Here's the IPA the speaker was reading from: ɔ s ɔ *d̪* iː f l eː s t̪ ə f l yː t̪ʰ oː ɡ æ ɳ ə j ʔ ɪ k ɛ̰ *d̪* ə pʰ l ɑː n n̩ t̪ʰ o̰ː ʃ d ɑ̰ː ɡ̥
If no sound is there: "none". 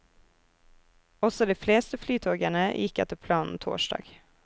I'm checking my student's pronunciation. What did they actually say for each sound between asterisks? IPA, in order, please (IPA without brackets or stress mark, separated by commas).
d̪, t̪